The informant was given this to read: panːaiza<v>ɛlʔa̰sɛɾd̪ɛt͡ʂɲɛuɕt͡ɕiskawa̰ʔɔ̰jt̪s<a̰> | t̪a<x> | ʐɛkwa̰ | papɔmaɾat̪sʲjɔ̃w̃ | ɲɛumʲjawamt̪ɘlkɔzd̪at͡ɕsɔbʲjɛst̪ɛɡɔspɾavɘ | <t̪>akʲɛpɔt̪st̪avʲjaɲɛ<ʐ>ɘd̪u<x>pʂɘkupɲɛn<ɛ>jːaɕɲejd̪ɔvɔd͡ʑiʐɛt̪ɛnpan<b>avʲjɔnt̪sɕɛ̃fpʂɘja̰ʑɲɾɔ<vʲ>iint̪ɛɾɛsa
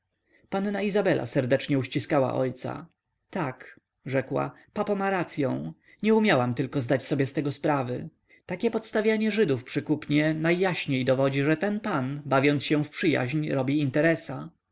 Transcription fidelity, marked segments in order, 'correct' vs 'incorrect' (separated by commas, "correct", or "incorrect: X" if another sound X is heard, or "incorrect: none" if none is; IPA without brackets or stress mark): incorrect: b, correct, incorrect: k, correct, correct, incorrect: f, incorrect: a, correct, incorrect: bʲ